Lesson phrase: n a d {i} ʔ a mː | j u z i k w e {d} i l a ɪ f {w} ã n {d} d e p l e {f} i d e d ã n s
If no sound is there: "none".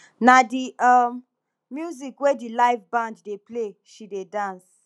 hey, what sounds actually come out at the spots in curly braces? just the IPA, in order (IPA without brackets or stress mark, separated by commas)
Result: i, d, b, d, ʃ